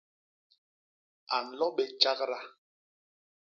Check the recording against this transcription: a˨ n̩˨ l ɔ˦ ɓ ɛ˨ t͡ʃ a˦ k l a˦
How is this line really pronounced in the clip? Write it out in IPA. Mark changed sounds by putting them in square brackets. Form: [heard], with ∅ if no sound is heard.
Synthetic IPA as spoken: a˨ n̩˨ l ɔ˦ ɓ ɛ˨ t͡ʃ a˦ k [ɾ] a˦